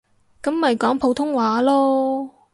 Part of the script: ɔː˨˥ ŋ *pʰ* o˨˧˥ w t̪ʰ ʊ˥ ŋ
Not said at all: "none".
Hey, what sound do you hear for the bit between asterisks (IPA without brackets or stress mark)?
pʰ